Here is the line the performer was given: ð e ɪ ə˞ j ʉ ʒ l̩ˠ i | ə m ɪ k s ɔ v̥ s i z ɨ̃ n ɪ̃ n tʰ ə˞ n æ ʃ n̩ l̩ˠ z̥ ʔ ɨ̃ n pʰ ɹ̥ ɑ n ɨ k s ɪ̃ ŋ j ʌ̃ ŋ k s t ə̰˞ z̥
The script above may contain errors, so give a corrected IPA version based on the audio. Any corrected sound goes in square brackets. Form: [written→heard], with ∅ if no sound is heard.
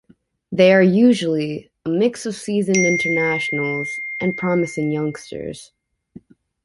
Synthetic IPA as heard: ð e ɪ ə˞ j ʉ ʒ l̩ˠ i | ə m ɪ k s [ɔ→ʌ] v̥ s i z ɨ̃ n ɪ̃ n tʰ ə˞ n æ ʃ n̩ l̩ˠ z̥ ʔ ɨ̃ n pʰ ɹ̥ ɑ [n→m] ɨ [k→∅] s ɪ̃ ŋ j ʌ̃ ŋ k s t ə̰˞ z̥

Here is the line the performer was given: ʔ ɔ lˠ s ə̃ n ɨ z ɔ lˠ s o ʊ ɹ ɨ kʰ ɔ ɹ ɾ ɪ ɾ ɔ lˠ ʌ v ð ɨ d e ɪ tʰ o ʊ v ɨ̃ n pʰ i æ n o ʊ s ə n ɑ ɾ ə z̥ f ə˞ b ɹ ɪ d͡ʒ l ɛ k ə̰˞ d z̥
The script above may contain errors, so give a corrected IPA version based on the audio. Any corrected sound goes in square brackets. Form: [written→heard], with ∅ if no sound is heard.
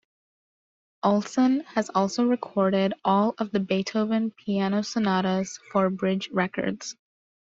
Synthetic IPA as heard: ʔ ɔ lˠ s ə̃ n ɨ z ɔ lˠ s o ʊ ɹ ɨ kʰ ɔ ɹ ɾ ɪ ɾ ɔ lˠ ʌ v ð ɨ [d→b] e ɪ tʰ o ʊ v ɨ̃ n pʰ i æ n o ʊ s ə n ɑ ɾ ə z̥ f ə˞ b ɹ ɪ d͡ʒ [l→ɹ] ɛ k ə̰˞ d z̥

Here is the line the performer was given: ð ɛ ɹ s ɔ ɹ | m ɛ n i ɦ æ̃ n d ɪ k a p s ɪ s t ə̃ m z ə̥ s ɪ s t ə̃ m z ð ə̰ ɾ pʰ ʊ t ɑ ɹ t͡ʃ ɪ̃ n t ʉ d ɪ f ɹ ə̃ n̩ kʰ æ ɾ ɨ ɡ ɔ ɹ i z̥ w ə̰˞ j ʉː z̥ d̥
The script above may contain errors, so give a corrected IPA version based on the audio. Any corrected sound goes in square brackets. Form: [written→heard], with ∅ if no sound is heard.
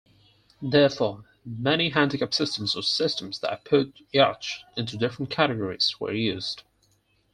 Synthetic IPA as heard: ð ɛ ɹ [s→f] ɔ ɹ | m ɛ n i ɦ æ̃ n d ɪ k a p s ɪ s t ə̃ m z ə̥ s ɪ s t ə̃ m z ð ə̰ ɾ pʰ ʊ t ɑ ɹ t͡ʃ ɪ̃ n t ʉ d ɪ f ɹ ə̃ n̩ kʰ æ ɾ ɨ ɡ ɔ ɹ i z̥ w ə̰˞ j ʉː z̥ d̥

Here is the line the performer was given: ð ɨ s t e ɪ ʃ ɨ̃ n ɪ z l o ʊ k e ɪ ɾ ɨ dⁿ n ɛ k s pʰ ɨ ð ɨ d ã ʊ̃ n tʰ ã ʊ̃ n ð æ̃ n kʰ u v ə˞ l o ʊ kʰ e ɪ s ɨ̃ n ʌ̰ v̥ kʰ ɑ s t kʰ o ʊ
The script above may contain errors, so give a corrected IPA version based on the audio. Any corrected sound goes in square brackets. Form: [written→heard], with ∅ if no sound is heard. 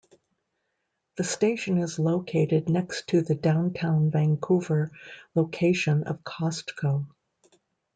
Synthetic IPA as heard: ð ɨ s t e ɪ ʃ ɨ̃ n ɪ z l o ʊ [k→kʰ] e ɪ ɾ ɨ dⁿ n ɛ k s [pʰ→tʰ] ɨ ð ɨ d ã ʊ̃ n tʰ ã ʊ̃ n [ð→v] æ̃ [n→ŋ] kʰ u v ə˞ l o ʊ kʰ e ɪ [s→ʃ] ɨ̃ n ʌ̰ v̥ kʰ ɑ s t kʰ o ʊ

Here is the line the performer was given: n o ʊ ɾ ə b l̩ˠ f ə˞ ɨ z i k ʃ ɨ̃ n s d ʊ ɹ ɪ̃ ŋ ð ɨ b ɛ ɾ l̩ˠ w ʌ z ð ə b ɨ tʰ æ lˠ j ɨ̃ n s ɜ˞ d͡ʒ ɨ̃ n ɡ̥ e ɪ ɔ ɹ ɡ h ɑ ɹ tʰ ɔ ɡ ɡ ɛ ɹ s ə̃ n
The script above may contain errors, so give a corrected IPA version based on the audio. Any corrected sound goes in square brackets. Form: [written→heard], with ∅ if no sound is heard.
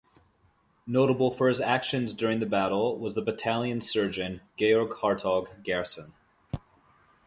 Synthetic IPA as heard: n o ʊ ɾ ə b l̩ˠ f ə˞ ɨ z [i→æ] k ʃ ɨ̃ n [s→z] d ʊ ɹ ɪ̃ ŋ ð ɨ b [ɛ→æ] ɾ l̩ˠ w ʌ z ð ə b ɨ tʰ æ lˠ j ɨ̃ n s ɜ˞ d͡ʒ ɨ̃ n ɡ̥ e ɪ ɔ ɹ ɡ h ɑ ɹ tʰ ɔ ɡ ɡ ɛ ɹ s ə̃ n

